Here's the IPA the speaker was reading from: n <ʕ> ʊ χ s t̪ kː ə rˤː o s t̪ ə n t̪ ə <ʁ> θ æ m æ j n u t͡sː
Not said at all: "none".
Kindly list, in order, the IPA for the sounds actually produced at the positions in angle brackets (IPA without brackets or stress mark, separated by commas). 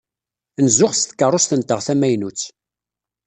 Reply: z, ʁ